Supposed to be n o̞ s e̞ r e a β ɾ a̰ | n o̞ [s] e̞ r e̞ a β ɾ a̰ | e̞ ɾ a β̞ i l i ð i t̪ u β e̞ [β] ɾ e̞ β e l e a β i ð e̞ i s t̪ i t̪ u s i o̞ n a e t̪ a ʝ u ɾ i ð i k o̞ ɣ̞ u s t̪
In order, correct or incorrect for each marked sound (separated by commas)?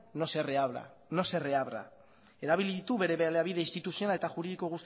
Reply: correct, incorrect